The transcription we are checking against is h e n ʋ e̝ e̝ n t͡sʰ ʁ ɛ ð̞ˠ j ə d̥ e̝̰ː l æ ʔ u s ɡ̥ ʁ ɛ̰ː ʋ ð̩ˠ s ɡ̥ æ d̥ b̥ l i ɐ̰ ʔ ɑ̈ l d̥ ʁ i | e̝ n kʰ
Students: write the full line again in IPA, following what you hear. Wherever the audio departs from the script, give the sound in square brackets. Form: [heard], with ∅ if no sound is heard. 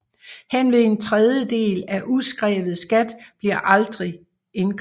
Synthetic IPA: h e n ʋ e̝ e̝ n t͡sʰ ʁ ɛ ð̞ˠ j ə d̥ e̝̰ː l æ ʔ u s ɡ̥ ʁ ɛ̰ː ʋ ð̩ˠ s ɡ̥ æ d̥ b̥ l i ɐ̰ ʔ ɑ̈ l d̥ ʁ i | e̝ n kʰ